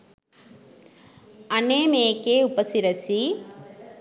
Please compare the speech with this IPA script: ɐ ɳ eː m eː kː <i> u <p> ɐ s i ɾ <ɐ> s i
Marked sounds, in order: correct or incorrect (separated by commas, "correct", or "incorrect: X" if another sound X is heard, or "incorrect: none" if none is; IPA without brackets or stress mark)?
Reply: incorrect: e, correct, correct